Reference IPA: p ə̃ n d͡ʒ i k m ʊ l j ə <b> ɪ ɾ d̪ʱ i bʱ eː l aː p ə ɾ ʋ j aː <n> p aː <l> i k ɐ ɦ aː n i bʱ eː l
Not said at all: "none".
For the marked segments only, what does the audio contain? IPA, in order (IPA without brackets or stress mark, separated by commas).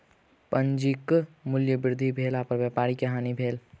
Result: b, none, ɾ